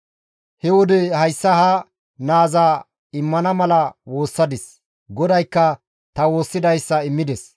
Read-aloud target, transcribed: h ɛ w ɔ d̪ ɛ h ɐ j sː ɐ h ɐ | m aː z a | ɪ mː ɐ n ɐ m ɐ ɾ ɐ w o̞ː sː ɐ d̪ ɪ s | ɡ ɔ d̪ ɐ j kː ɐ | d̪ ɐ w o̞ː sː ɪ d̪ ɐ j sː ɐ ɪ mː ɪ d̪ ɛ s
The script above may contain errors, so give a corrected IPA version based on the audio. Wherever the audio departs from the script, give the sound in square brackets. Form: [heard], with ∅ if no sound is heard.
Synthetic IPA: h ɛ w ɔ d̪ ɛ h ɐ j sː ɐ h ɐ | [n] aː z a | ɪ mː ɐ n ɐ m ɐ [l] ɐ w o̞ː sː ɐ d̪ ɪ s | ɡ ɔ d̪ ɐ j kː ɐ | [t̪] ɐ w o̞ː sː ɪ d̪ ɐ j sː ɐ ɪ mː ɪ d̪ ɛ s